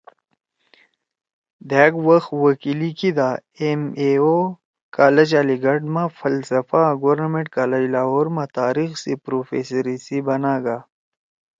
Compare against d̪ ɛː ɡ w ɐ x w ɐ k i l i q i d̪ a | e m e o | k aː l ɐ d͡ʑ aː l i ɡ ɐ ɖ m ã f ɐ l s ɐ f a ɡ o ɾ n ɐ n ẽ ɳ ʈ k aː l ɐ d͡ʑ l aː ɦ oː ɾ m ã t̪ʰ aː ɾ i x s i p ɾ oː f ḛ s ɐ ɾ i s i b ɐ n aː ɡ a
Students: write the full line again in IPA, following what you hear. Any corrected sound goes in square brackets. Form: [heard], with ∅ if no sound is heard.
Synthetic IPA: d̪ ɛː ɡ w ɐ x w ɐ k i l i [k] i d̪ a | e m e o | k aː l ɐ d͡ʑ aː l i ɡ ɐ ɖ m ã f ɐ l s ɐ f a ɡ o ɾ n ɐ [m] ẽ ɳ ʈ k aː l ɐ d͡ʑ l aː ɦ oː ɾ m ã [t̪] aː ɾ i x s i p ɾ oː f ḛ s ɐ ɾ i s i b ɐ n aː ɡ a